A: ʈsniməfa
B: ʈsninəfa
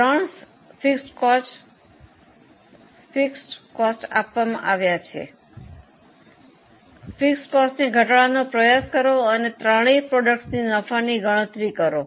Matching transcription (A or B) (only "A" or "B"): B